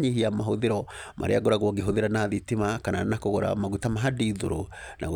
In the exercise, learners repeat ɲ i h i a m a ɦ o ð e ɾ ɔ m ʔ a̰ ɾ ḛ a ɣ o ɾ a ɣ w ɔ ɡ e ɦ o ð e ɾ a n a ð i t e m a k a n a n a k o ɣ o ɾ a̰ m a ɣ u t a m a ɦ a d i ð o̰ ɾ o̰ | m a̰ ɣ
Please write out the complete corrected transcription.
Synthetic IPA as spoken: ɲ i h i a m a ɦ o ð e ɾ ɔ m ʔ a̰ ɾ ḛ a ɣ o ɾ a ɣ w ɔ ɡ e ɦ o ð e ɾ a n a ð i t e m a k a n a n a k o ɣ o ɾ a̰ m a ɣ u t a m a ɦ a d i ð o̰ ɾ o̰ | n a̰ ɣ